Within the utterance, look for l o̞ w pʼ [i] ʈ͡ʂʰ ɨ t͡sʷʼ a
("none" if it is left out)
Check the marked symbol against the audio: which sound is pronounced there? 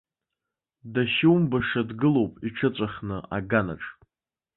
i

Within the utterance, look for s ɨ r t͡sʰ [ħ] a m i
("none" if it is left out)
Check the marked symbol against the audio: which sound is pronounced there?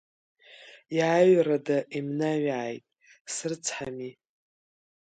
ħ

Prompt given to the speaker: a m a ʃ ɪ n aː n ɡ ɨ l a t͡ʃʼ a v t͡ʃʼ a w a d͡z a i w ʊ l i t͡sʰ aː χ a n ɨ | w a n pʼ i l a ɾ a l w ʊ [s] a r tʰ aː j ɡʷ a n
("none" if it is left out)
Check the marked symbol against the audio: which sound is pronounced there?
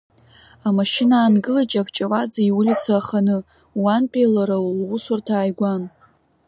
s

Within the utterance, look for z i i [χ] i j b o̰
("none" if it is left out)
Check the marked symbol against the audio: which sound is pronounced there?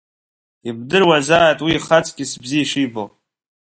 ʂ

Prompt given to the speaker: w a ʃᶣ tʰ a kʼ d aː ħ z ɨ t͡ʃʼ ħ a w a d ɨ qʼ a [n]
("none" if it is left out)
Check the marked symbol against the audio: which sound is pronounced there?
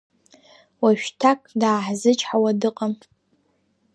m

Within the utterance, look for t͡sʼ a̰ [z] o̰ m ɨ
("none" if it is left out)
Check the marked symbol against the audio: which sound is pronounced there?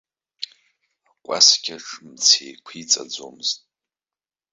d͡z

